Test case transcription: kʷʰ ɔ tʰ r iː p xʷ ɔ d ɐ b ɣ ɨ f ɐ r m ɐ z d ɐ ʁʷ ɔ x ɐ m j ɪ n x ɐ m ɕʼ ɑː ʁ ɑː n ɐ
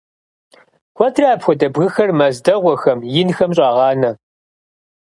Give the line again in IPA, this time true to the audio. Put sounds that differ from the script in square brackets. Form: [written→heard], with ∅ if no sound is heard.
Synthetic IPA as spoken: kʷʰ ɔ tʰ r [iː→aː] p xʷ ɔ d ɐ b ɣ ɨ [f→x] ɐ r m ɐ z d ɐ ʁʷ ɔ x ɐ m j ɪ n x ɐ m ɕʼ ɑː ʁ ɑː n ɐ